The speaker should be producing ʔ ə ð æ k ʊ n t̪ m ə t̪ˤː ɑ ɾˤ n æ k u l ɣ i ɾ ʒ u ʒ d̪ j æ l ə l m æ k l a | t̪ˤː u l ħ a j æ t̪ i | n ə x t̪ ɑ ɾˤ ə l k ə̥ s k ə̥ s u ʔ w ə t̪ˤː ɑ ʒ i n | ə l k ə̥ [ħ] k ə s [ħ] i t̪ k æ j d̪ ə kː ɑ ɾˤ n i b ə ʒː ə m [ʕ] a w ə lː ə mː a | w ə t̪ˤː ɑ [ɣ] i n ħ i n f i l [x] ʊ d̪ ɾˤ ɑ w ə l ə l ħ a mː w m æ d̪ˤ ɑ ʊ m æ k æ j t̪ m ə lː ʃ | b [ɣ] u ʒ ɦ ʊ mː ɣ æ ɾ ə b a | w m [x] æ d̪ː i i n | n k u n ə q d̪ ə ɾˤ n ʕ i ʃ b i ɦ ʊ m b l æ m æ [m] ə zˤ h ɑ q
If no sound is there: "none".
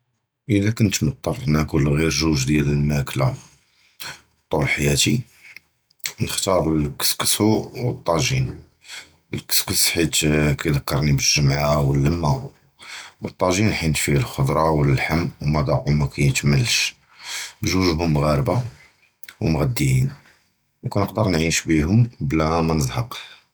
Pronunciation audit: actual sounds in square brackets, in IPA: s, ħ, ʕ, ʒ, x, ʒ, ɣ, n

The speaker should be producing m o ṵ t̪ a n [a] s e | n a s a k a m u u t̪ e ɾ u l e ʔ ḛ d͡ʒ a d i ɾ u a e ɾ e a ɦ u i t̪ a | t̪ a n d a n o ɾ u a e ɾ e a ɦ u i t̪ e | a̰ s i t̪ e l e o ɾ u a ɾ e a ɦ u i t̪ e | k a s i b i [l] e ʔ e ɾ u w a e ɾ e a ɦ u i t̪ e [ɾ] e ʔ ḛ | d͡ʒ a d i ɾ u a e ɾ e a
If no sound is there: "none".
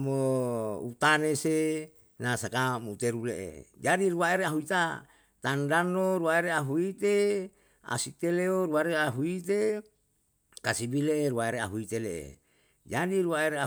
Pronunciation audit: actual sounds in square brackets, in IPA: e, l, l

